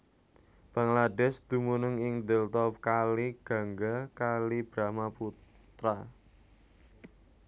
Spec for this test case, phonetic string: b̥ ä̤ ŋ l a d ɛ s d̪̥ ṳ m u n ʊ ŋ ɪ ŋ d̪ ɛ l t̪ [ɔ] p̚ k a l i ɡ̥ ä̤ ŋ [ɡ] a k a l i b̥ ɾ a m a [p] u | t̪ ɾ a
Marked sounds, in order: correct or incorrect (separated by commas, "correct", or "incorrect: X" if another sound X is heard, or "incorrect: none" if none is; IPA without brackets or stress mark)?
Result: correct, correct, correct